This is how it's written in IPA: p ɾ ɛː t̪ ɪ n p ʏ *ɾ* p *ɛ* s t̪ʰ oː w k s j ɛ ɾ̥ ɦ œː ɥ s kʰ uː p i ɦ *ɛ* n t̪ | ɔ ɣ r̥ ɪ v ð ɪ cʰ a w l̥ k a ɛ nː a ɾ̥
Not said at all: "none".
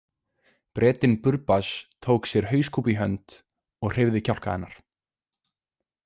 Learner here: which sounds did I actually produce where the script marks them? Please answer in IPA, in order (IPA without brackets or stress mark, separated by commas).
ɾ, a, œ